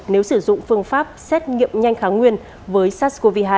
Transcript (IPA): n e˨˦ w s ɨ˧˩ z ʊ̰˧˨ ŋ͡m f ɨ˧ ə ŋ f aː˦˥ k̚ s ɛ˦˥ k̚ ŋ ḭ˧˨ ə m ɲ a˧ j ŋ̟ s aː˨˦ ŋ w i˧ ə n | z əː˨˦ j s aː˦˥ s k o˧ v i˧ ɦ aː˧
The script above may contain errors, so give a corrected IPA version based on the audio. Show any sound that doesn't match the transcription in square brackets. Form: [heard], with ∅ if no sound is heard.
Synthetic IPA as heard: n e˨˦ w s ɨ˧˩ z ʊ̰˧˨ ŋ͡m f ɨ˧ ə ŋ f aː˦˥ [p̚] s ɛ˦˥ [t̚] ŋ ḭ˧˨ ə m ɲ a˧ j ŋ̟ [x] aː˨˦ ŋ w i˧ ə n | [v] əː˨˦ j s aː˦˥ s k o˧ v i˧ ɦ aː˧